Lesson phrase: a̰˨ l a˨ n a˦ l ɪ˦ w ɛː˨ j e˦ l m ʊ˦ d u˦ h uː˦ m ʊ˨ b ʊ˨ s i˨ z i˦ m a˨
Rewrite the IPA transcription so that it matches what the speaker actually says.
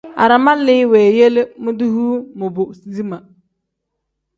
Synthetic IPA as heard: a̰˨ ɾ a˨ m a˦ l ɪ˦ w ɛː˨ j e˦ l m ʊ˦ d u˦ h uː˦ m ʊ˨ b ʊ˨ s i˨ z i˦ m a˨

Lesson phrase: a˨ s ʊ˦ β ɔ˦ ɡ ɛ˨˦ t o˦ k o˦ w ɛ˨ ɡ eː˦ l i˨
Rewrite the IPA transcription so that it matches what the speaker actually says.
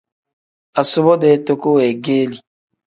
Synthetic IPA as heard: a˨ s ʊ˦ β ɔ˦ d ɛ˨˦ t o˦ k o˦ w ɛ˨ ɡ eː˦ l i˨

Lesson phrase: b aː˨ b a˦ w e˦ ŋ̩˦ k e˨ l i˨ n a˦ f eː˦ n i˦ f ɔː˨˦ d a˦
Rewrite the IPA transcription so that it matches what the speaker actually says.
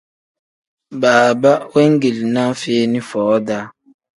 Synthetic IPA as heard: b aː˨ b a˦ w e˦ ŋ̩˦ ɡ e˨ l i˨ n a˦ f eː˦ n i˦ f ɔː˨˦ d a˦

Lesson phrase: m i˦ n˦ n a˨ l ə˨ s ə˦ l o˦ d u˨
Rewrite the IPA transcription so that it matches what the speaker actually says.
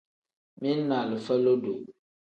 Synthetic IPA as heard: m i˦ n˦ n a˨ l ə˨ f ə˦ l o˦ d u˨

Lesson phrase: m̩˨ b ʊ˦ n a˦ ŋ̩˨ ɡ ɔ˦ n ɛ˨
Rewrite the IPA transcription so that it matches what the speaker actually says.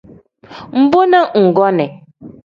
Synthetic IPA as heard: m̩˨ b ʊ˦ n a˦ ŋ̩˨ ɡ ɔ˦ n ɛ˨

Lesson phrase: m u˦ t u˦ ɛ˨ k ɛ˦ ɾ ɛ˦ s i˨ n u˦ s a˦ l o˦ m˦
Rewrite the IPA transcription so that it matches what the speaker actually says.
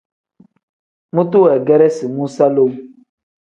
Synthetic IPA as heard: m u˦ t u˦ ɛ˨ ɡ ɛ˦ ɾ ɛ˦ s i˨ m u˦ s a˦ l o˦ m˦

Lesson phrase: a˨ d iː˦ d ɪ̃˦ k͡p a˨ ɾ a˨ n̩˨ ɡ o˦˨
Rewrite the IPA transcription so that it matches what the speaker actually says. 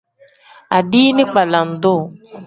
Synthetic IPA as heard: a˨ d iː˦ n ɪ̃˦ k͡p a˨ l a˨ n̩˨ d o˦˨

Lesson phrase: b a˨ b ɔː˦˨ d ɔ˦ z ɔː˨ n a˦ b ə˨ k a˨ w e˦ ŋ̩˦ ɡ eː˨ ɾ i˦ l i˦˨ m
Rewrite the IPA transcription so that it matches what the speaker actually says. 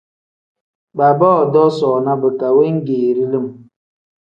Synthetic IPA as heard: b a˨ b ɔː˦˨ d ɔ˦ s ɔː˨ n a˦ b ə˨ k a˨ w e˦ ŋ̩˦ ɡ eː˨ ɾ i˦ l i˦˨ m

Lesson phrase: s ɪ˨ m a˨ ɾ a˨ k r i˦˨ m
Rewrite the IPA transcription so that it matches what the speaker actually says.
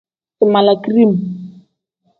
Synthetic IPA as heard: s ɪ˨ m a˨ l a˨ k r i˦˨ m

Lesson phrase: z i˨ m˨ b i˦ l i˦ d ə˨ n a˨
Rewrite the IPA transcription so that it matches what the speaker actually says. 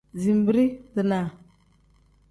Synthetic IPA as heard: z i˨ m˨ b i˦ ɾ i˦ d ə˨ n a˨

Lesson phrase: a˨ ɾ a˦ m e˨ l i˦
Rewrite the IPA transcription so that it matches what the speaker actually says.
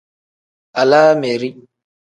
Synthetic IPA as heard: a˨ l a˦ m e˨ ɾ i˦

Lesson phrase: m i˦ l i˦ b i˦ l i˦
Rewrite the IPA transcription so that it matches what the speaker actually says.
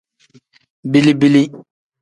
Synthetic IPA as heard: b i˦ l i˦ b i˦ l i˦

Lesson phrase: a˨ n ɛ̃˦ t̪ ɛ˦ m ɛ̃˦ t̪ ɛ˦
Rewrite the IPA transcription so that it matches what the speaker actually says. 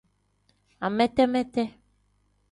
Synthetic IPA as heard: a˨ m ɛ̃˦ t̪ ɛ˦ m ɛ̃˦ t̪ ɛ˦

